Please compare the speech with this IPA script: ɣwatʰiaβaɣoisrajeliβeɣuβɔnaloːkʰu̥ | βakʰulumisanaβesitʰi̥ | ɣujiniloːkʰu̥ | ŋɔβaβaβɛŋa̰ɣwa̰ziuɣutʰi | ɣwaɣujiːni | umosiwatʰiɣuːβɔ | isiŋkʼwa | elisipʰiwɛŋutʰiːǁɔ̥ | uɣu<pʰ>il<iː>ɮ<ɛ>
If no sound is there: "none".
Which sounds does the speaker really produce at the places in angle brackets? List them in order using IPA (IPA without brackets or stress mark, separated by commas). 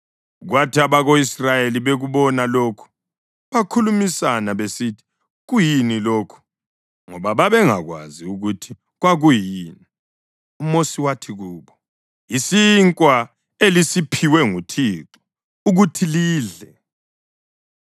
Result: tʰ, iː, ɛ